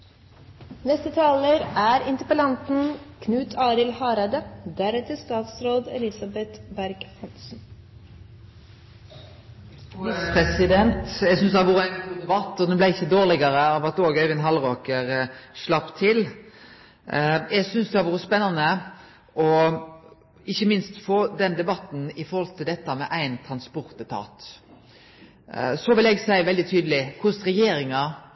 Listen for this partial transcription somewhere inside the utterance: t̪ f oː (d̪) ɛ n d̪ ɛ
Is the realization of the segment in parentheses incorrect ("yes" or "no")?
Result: no